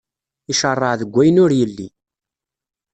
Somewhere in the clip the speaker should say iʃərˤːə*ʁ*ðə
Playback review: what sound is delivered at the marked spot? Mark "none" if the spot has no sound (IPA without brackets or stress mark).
ʕ